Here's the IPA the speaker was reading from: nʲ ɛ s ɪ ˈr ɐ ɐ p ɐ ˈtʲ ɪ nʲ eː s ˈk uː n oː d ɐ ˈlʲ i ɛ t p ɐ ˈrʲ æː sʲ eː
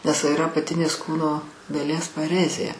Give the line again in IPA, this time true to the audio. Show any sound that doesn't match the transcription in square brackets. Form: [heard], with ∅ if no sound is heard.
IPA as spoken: nʲ ɛ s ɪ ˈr ɐ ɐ p ɐ ˈtʲ ɪ nʲ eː s ˈk uː n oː d ɐ ˈlʲ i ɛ [s] p ɐ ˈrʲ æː [zʲ] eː